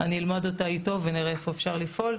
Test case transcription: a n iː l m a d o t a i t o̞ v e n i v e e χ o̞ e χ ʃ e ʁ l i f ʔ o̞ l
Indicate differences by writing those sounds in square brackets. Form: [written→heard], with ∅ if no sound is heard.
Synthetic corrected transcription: a n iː l m a d o t a i t o̞ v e n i [v→ʁ] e e [χ→f] o̞ e [χ→f] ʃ [e→a] ʁ l i f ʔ o̞ l